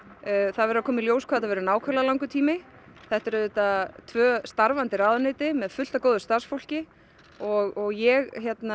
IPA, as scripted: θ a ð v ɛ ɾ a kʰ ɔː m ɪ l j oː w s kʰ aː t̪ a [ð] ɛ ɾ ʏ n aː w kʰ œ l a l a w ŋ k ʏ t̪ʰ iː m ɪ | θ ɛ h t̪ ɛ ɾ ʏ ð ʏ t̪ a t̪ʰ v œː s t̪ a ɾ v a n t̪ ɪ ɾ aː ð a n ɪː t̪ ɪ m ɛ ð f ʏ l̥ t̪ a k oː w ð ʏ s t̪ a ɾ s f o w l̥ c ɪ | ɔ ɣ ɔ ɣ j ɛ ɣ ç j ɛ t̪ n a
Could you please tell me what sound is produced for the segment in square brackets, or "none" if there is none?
v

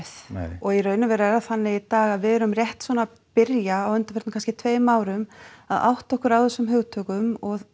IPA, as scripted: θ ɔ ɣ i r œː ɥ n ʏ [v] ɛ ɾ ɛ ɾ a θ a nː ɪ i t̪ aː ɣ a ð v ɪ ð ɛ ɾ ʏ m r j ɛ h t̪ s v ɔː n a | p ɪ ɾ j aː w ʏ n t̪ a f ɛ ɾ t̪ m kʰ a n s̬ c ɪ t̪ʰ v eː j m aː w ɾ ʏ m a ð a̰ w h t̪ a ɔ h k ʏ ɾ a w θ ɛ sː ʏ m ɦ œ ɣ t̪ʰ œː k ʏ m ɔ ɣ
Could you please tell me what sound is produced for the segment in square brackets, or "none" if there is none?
v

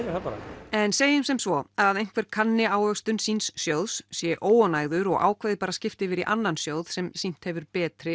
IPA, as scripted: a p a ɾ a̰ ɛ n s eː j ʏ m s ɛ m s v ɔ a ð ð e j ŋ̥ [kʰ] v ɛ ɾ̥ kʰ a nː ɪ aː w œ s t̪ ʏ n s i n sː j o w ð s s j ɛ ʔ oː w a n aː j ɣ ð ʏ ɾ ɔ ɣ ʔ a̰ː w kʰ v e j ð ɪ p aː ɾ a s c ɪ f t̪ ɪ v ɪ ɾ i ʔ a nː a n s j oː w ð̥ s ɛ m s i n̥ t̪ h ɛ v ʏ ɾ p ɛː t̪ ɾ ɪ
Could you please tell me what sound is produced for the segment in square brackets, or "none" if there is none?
k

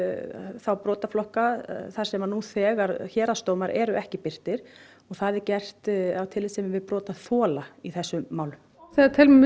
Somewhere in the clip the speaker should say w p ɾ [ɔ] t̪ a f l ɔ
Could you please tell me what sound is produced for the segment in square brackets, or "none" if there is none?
ɔː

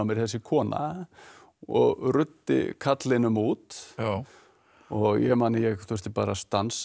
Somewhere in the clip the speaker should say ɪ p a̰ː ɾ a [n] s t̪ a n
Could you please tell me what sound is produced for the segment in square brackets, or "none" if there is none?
none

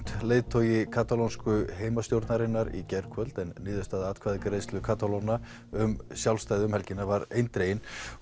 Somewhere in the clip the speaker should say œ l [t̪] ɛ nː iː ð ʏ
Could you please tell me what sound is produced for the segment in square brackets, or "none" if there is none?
t̪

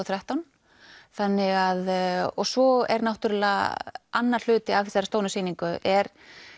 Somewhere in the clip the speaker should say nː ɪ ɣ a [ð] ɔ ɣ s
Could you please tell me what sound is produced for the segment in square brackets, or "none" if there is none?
ð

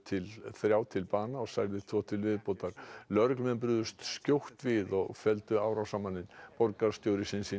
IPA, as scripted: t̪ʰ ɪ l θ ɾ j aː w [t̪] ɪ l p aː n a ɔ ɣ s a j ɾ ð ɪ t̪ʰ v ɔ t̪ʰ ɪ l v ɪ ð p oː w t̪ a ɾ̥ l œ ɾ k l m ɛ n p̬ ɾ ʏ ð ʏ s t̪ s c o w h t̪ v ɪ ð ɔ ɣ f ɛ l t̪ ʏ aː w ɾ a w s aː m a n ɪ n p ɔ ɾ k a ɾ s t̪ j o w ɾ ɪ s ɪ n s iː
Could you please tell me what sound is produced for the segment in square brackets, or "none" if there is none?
t̪ʰ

